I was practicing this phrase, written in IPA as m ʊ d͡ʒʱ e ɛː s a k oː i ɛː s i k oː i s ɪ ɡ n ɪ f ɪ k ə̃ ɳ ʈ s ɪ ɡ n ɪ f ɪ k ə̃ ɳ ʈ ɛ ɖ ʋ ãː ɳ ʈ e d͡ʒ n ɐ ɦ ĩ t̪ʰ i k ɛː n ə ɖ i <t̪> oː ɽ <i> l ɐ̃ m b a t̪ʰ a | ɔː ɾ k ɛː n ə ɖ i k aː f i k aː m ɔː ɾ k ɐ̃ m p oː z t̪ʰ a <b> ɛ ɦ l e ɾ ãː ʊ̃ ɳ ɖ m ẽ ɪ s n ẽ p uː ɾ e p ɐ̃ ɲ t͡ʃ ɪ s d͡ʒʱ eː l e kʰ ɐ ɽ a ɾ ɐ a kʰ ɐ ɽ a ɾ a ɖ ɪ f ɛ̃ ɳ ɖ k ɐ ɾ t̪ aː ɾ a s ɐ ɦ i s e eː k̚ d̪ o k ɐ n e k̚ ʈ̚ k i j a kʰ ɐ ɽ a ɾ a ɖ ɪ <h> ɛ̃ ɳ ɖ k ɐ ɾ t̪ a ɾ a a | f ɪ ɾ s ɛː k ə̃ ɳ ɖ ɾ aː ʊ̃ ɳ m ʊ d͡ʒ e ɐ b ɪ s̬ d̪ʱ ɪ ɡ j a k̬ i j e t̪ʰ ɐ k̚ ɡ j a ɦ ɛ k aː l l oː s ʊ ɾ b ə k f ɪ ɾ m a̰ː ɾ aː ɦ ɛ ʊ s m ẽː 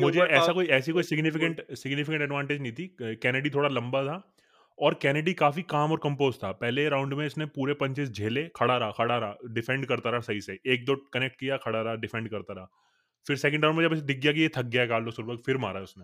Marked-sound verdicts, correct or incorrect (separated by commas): incorrect, incorrect, incorrect, incorrect